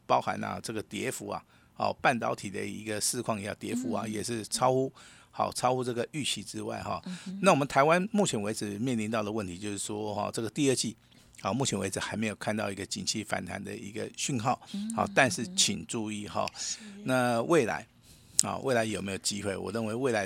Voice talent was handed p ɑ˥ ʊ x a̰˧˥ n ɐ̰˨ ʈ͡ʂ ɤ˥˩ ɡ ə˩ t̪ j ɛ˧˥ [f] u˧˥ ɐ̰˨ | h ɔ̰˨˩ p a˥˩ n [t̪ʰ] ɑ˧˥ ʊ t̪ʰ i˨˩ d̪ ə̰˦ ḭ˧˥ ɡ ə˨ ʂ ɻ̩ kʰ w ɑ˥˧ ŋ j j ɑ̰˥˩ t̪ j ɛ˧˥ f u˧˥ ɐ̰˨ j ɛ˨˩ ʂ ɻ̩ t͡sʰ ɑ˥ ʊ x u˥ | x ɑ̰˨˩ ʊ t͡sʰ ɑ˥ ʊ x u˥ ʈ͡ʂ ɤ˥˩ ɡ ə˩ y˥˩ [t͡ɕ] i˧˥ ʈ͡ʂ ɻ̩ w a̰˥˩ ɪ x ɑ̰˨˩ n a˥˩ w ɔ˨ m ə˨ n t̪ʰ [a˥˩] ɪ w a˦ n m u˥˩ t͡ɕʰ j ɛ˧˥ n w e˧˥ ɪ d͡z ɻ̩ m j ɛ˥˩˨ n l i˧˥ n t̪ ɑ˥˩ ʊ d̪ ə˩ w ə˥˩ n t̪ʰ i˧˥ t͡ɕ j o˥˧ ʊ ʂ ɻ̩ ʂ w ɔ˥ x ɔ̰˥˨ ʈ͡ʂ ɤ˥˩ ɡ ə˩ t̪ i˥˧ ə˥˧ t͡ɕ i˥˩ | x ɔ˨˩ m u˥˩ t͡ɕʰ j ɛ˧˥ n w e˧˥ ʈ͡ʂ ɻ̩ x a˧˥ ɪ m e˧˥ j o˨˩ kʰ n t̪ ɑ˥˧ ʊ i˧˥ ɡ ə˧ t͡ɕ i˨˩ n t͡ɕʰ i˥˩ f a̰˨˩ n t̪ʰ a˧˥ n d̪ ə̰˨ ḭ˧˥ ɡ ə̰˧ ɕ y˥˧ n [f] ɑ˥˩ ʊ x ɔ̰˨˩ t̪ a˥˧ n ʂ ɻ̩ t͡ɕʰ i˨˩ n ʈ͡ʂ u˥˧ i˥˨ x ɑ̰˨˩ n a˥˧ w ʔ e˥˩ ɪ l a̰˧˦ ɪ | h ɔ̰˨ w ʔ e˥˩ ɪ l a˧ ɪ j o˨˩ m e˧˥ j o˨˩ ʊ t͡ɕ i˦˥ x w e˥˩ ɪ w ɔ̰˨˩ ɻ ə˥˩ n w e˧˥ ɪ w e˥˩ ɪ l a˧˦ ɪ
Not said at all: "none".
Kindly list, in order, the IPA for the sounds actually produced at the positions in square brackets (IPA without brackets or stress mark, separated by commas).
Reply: f, t̪, t͡ɕʰ, a˧˥, x